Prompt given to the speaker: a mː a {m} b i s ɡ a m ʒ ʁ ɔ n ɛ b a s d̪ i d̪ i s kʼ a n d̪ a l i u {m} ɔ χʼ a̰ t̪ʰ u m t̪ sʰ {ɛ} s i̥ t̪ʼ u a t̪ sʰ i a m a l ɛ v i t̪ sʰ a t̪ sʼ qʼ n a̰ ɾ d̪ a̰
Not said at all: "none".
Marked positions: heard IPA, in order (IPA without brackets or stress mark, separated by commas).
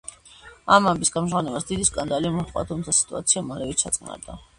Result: m, m, a